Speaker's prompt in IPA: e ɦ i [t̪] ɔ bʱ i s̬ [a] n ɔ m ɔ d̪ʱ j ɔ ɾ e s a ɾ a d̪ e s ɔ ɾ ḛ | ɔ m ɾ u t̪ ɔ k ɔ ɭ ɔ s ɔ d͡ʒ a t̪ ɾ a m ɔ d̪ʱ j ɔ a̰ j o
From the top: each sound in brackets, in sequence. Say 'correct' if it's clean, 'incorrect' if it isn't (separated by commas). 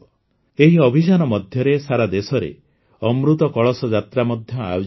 incorrect, correct